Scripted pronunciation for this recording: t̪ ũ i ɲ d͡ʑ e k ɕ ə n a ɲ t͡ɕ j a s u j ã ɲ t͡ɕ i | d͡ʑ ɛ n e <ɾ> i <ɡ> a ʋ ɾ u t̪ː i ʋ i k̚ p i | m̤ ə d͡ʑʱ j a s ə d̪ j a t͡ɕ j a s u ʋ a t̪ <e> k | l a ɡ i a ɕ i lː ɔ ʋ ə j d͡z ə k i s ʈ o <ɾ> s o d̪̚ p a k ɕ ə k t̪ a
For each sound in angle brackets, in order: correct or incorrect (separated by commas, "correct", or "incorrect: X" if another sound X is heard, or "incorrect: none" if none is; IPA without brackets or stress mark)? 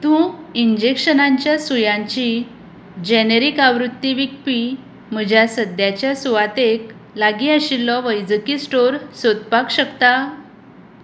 correct, incorrect: k, correct, correct